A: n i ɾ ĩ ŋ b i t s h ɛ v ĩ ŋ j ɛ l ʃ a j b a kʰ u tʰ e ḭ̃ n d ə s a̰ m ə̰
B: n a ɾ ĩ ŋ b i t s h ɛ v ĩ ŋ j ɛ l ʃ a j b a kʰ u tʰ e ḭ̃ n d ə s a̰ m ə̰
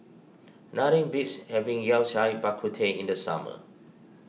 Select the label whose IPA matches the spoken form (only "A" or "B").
B